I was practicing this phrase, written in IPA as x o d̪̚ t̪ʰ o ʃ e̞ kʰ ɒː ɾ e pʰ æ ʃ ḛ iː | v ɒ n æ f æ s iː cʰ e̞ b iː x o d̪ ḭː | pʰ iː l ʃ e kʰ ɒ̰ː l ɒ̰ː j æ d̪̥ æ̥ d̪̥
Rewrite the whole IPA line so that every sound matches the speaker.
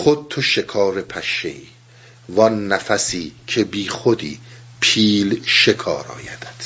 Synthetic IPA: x o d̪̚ t̪ʰ o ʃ e̞ kʰ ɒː ɾ e pʰ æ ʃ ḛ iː | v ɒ nː æ f æ s iː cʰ e̞ b iː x o d̪ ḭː | pʰ iː l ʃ e kʰ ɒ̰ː ɾ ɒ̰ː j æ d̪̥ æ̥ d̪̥